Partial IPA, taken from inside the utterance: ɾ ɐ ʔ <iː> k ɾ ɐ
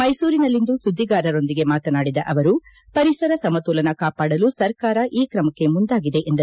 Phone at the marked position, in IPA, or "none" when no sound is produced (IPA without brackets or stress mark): iː